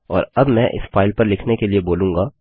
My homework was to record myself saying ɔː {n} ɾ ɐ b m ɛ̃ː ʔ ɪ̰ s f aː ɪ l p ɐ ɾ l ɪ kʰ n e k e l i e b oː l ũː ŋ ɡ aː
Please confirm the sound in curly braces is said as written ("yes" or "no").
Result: no